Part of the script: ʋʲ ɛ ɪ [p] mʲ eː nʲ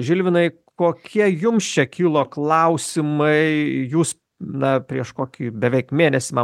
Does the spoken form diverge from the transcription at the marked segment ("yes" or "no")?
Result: yes